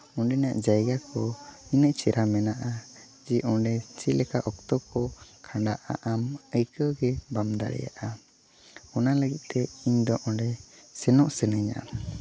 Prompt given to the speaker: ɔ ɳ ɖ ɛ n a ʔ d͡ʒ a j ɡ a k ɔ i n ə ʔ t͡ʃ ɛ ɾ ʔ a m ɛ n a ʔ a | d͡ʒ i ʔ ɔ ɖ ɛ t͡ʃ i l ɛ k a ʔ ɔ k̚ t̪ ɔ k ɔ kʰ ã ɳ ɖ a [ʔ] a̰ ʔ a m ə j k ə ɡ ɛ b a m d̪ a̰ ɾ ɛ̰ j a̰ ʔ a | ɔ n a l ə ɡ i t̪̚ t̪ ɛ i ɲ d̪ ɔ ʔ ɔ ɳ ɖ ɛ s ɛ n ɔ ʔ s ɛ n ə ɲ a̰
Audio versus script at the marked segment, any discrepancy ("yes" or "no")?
no